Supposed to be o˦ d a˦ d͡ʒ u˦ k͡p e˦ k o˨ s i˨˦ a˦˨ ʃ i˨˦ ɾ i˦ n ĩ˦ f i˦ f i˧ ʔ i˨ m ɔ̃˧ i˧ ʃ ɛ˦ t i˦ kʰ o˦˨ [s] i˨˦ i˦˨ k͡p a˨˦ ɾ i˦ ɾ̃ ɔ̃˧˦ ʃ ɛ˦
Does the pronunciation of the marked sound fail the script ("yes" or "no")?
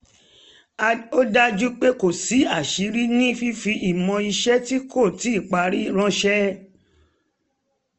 yes